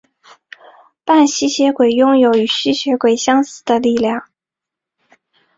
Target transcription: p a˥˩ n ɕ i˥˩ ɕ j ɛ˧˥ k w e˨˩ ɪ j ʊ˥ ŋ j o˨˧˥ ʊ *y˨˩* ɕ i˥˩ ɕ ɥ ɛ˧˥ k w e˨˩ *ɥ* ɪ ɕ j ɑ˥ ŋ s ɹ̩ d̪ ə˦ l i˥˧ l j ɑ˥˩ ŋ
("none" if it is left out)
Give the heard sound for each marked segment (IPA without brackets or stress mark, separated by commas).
y˨˩, none